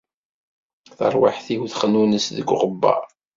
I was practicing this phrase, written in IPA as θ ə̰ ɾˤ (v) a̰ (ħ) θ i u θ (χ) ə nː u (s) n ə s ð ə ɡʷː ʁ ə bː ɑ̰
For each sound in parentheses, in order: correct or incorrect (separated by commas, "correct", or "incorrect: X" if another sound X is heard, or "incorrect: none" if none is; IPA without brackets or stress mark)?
incorrect: w, correct, correct, incorrect: none